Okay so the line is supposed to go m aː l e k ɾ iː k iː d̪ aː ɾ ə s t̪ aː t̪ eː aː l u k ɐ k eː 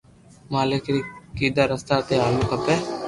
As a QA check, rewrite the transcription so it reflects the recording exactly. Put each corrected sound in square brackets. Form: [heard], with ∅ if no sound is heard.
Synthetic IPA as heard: m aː l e k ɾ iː k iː d̪ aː ɾ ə s t̪ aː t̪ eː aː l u k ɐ [p] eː